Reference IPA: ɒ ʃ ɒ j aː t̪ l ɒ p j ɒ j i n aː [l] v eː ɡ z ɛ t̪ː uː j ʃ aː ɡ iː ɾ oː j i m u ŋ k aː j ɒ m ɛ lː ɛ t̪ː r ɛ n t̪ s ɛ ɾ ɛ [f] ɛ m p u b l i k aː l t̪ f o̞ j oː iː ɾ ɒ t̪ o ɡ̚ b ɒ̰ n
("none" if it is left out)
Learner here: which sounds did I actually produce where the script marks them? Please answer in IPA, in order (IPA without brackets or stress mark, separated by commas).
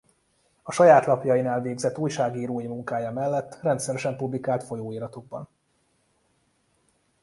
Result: l, ʃ